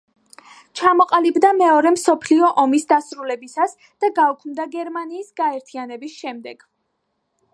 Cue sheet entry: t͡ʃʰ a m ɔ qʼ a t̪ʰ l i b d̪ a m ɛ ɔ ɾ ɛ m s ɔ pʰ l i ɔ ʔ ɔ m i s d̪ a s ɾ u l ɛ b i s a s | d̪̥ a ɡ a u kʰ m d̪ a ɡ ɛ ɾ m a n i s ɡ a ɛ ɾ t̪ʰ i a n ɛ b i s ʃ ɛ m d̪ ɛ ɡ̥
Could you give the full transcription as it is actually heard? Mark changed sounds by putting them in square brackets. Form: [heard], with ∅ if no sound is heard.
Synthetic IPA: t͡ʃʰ a m ɔ qʼ a [∅] l i b d̪ a m ɛ ɔ ɾ ɛ m s ɔ pʰ l i ɔ ʔ ɔ m i s d̪ a s ɾ u l ɛ b i s a s | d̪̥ a ɡ a u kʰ m d̪ a ɡ ɛ ɾ m a n [iː] s ɡ a ɛ ɾ t̪ʰ i a n ɛ b i s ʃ ɛ m d̪ ɛ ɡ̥